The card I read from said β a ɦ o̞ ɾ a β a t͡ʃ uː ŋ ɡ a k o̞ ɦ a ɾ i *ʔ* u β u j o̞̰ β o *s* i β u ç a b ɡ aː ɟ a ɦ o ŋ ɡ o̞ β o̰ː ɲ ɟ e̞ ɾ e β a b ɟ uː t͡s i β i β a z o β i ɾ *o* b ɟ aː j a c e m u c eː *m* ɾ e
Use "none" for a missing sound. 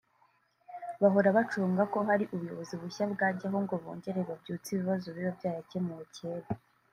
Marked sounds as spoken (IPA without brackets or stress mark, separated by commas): ʔ, z, o, none